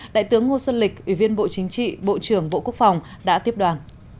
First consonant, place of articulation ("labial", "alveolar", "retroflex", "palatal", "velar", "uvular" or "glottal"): alveolar